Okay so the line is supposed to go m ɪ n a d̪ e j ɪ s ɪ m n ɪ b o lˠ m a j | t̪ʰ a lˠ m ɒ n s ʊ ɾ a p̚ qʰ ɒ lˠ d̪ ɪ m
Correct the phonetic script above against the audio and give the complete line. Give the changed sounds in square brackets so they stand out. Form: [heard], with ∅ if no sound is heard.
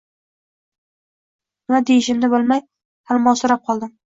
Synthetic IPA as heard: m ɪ n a d̪ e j ɪ [ʃ] ɪ m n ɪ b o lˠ m a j | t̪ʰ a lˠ m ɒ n s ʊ ɾ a p̚ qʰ ɒ lˠ d̪ ɪ m